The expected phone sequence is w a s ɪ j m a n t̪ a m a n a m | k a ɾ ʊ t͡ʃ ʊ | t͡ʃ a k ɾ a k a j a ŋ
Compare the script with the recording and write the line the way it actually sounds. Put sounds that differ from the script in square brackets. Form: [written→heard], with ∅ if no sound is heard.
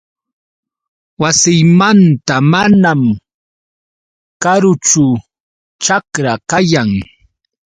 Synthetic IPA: w a s ɪ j m a n t̪ a m a n a m | k a ɾ ʊ t͡ʃ ʊ | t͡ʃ a k ɾ a k a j a ŋ

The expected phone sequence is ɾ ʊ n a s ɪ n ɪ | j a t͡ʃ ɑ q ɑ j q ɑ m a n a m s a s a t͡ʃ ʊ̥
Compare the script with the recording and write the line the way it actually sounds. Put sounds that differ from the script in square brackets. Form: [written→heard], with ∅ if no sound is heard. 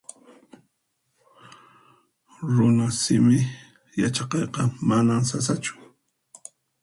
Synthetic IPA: ɾ ʊ n a s ɪ [n→m] ɪ | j a t͡ʃ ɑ q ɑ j q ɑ m a n a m s a s a t͡ʃ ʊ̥

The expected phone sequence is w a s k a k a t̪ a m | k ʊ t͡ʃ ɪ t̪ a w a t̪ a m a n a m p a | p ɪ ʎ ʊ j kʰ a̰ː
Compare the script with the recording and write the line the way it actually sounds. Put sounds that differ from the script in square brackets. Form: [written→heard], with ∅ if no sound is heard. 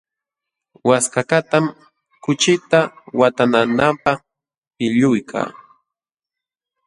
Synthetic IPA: w a s k a k a t̪ a m | k ʊ t͡ʃ ɪ t̪ a w a t̪ a [m→n] a n a m p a | p ɪ ʎ ʊ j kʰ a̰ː

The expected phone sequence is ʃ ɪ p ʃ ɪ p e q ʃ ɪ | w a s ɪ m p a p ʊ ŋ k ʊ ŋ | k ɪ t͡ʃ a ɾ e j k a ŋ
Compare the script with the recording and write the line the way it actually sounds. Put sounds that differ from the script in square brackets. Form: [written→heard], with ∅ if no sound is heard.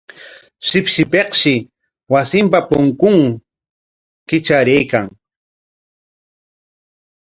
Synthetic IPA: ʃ ɪ p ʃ ɪ p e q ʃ ɪ | w a s ɪ m p a p ʊ ŋ k ʊ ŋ | k ɪ t͡ʃ a ɾ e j k a ŋ

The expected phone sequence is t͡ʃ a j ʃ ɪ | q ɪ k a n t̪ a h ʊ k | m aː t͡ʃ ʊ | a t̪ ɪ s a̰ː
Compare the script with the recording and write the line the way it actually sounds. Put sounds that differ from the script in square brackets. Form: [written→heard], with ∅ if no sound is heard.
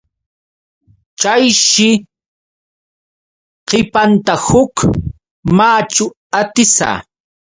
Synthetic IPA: t͡ʃ a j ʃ ɪ | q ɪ [k→p] a n t̪ a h ʊ k | m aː t͡ʃ ʊ | a t̪ ɪ s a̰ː

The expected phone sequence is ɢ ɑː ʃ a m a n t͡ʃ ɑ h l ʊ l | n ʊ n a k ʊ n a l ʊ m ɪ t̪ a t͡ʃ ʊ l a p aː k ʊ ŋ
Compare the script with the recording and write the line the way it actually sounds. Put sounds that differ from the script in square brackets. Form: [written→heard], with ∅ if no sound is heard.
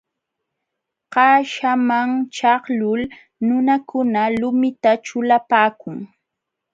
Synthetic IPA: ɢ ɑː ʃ a m a [n→ŋ] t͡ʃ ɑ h l ʊ l | n ʊ n a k ʊ n a l ʊ m ɪ t̪ a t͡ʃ ʊ l a p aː k ʊ ŋ

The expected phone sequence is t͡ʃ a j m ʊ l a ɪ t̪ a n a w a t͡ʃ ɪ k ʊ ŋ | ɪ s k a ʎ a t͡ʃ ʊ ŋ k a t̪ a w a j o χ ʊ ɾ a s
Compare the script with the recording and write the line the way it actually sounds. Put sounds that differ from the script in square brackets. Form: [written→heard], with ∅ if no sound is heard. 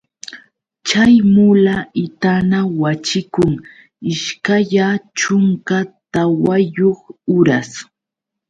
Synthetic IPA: t͡ʃ a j m ʊ l a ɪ t̪ a n a w a t͡ʃ ɪ k ʊ ŋ | ɪ [s→ʃ] k a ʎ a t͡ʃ ʊ ŋ k a t̪ a w a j o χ ʊ ɾ a s

